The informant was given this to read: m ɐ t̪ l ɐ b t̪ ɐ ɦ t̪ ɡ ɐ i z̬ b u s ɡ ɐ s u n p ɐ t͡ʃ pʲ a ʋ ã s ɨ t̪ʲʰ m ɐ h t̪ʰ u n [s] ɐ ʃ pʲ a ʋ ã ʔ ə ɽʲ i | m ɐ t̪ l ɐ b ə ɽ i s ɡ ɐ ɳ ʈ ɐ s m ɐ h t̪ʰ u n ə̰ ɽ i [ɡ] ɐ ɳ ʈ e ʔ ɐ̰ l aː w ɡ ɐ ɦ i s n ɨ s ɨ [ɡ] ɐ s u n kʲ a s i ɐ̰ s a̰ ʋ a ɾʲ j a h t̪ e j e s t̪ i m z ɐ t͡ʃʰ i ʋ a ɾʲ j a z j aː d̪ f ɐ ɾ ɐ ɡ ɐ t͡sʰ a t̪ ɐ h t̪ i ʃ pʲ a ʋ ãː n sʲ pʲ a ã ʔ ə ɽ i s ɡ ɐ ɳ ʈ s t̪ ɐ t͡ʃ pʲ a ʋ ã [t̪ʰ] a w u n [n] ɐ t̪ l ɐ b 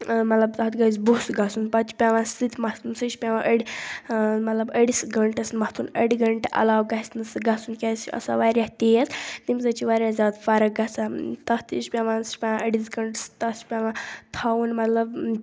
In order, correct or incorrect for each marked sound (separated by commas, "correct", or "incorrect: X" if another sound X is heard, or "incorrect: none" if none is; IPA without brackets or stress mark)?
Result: correct, correct, correct, correct, incorrect: m